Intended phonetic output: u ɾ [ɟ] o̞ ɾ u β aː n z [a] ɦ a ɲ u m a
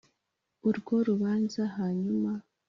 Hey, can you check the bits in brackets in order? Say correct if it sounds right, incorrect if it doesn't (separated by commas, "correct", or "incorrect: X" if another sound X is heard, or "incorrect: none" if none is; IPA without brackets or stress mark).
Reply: incorrect: ɡ, correct